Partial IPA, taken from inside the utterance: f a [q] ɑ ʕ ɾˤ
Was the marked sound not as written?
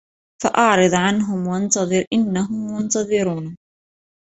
yes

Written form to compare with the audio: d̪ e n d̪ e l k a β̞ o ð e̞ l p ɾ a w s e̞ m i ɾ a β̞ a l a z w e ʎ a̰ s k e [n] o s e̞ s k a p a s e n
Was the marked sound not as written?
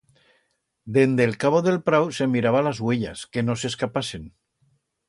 no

